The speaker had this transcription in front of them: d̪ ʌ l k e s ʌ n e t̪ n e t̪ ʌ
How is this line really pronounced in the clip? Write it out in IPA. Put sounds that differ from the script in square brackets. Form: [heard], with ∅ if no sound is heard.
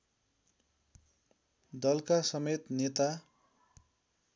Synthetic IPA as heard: d̪ ʌ l k [a] s ʌ [m] e t̪ n e t̪ [a]